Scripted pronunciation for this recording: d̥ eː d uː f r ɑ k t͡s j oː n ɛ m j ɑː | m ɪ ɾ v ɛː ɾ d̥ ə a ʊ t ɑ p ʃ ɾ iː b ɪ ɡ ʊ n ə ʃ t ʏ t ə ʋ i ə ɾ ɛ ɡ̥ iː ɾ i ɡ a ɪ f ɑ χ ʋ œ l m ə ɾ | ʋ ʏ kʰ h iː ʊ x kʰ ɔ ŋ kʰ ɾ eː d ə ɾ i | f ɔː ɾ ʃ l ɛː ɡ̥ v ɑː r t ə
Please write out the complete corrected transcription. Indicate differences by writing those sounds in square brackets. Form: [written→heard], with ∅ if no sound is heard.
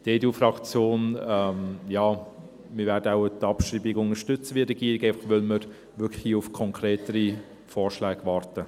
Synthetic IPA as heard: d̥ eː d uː f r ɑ k t͡s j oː n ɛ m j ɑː | m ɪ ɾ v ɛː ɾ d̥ ə a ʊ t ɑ p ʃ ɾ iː b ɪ ɡ ʊ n ə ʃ t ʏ [t→t͡s] ə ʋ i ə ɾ ɛ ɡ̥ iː ɾ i ɡ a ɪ f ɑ χ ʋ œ l m ə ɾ | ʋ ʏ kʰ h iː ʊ [x→f] kʰ ɔ ŋ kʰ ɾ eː [d→t] ə ɾ i | f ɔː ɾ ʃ l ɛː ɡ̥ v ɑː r t ə